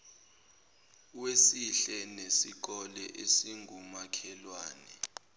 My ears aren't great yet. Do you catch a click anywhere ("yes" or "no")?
no